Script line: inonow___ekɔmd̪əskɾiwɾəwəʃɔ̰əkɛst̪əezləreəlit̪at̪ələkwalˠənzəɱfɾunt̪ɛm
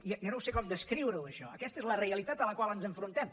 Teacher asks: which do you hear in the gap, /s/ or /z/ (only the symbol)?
s